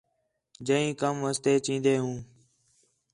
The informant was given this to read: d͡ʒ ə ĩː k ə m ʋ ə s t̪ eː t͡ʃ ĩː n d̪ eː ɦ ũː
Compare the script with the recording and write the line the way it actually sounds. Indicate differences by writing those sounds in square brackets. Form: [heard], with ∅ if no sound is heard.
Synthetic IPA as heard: d͡ʒ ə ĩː k ə m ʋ ə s t̪ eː t͡ʃ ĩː n d̪ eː ɦ ũː

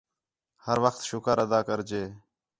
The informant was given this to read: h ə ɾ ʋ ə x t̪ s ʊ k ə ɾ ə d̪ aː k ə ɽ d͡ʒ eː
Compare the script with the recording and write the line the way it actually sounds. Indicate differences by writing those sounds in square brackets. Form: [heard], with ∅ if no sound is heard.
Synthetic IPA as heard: h ə ɾ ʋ ə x t̪ [ʃ] ʊ k ə ɾ ə d̪ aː k ə [ɾ] d͡ʒ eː

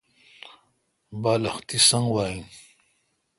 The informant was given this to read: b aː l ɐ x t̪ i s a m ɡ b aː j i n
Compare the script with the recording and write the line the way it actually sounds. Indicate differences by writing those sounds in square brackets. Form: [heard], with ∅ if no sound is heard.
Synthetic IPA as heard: b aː l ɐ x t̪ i s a [ŋ] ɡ [w] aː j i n

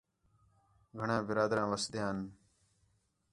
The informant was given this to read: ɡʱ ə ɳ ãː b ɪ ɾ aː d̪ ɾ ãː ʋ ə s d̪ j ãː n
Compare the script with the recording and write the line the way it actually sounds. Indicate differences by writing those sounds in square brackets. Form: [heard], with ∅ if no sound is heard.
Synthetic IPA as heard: ɡʱ ə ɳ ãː b ɪ ɾ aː d̪ ɾ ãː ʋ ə s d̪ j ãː n

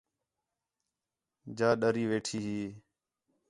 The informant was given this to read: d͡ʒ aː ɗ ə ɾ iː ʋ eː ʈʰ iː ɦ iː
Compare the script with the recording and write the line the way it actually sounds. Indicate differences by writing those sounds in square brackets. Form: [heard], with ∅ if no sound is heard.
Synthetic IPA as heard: d͡ʒ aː ɗ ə ɾ iː ʋ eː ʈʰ iː ɦ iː

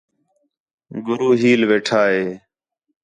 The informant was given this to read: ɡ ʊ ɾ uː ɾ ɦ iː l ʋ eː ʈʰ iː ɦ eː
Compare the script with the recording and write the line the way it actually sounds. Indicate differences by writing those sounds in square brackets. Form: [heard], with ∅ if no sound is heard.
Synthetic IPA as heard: ɡ ʊ ɾ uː [∅] ɦ iː l ʋ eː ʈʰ [aː] ɦ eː

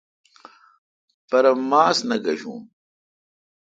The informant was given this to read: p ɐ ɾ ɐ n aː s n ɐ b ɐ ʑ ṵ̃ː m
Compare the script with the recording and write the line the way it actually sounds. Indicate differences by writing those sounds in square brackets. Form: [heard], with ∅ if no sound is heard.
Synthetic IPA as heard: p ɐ ɾ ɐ [m] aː s n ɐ [ɡ] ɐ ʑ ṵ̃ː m

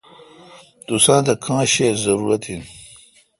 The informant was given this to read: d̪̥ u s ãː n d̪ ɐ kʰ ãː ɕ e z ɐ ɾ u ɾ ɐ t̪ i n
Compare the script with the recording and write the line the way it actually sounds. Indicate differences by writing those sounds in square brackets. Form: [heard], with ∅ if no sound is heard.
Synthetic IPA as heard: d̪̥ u s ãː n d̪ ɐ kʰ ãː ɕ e z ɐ ɾ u ɾ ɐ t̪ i n

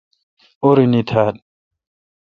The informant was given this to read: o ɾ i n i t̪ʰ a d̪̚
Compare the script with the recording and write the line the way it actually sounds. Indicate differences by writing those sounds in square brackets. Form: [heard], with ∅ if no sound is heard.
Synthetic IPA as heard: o ɾ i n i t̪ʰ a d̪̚

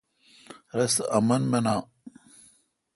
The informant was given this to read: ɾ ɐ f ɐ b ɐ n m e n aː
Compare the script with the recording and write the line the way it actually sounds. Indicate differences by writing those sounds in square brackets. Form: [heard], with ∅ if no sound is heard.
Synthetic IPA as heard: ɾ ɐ [s] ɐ [m] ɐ n m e n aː

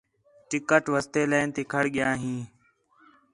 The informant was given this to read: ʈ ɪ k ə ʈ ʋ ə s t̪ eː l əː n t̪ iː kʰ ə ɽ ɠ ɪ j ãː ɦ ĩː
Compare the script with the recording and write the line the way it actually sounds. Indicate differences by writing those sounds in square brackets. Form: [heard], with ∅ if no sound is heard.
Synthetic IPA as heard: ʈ ɪ k ə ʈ ʋ ə s t̪ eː l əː n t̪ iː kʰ ə ɽ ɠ ɪ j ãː ɦ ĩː

